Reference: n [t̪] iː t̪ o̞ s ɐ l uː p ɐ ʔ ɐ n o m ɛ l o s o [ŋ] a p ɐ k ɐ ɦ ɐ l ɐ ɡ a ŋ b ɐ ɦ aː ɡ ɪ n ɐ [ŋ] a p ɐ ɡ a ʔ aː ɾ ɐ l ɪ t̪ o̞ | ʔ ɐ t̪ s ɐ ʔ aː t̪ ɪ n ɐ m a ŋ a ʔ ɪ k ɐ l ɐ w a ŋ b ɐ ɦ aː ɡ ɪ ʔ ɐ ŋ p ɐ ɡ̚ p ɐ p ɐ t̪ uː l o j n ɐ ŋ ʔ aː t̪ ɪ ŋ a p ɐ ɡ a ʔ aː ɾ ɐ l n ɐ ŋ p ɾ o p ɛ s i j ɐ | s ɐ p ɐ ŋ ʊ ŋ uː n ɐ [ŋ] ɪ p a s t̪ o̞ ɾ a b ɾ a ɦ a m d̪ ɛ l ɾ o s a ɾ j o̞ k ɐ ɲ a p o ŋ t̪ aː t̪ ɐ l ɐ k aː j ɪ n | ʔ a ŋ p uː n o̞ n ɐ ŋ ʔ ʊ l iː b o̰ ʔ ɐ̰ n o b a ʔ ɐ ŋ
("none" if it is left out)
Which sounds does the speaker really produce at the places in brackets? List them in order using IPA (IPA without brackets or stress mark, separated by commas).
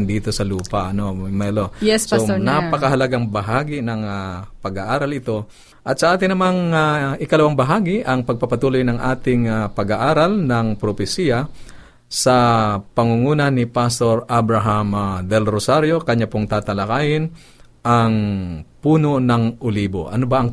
d̪, n, ŋ, n